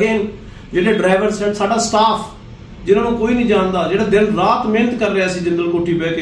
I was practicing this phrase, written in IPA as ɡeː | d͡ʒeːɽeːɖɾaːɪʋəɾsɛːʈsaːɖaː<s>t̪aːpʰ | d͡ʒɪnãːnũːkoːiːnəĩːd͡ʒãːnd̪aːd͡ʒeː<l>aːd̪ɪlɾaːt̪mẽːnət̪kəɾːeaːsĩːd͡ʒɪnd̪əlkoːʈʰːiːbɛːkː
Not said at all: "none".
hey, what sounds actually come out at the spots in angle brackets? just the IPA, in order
s, ɽ

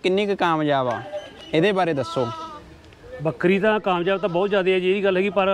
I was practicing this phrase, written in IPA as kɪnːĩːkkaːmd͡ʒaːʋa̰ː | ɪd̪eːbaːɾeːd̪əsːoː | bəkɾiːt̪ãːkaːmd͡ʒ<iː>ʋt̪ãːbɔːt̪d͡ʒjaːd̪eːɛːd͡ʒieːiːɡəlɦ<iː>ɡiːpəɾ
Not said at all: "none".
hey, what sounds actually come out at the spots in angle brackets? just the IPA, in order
aː, ɛː

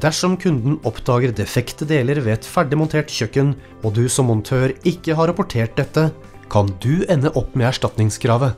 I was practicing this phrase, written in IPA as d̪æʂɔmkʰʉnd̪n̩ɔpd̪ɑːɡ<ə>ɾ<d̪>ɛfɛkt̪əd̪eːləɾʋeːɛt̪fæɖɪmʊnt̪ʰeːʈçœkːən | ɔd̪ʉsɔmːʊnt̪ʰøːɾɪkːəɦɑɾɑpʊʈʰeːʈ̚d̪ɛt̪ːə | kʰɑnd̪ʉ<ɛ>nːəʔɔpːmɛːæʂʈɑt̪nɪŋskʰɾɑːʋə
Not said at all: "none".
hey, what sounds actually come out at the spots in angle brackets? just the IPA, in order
ə, d̪, ɛ

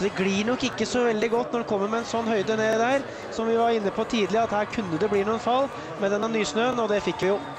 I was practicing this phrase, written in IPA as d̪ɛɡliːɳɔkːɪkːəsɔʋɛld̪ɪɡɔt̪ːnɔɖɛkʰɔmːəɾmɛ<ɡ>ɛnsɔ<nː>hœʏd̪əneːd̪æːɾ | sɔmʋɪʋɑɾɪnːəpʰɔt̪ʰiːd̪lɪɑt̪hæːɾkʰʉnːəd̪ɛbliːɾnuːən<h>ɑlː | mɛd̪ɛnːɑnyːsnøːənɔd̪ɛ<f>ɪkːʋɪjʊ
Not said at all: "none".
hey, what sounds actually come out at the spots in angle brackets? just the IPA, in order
none, nː, f, f

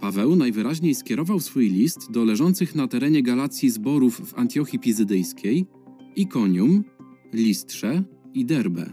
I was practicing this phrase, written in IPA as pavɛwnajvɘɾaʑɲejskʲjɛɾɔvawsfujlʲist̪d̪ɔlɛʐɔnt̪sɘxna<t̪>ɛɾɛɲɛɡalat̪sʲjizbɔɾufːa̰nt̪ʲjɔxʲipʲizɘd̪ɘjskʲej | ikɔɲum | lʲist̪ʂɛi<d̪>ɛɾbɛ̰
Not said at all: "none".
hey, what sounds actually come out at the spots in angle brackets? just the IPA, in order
t̪, d̪

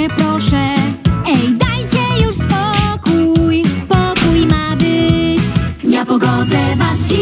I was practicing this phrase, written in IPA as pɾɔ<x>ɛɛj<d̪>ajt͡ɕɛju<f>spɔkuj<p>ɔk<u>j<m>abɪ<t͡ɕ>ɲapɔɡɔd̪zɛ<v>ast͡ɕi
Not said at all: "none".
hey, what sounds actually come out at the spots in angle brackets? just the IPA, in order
ʂ, d̪, ʂ, p, u, m, t͡ɕ, v

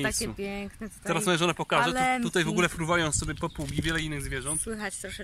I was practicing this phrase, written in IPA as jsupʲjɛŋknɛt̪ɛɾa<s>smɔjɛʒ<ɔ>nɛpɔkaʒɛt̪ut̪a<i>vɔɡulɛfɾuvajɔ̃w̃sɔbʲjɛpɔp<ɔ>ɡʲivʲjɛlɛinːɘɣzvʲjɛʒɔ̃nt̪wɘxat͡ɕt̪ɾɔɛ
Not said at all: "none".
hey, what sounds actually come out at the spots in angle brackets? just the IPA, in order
s, ɔ, j, u

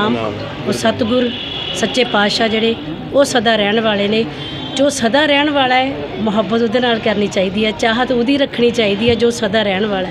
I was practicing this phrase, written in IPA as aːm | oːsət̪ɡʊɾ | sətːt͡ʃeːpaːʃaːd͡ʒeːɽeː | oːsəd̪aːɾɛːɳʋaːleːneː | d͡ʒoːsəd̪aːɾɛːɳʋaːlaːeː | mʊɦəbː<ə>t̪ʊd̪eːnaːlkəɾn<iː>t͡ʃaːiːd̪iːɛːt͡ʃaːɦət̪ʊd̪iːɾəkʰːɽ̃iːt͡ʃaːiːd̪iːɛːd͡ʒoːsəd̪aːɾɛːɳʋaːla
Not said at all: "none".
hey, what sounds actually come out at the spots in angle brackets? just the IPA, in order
ə, iː

